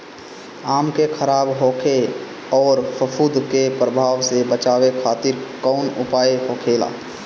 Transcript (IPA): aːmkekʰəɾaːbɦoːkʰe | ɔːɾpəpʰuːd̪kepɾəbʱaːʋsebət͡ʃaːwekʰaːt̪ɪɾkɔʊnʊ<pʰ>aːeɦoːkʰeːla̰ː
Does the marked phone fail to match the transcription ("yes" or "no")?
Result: yes